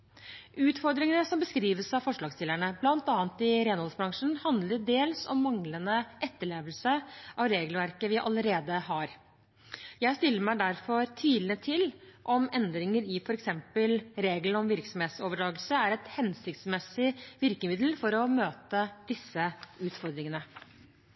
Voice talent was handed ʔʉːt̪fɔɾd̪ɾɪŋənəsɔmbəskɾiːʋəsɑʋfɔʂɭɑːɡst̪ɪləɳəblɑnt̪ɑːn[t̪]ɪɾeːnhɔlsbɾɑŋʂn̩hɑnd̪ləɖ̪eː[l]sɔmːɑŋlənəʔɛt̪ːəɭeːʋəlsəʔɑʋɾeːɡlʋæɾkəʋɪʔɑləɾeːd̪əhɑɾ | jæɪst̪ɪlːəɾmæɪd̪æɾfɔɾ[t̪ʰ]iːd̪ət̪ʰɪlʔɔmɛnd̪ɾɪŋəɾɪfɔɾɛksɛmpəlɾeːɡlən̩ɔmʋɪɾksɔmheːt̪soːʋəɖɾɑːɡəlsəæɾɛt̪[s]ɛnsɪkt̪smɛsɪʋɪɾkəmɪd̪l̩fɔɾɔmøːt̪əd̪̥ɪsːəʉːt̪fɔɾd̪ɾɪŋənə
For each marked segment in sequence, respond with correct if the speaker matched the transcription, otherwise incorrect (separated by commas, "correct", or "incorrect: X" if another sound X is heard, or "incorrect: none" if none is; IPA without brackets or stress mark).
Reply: correct, correct, correct, incorrect: h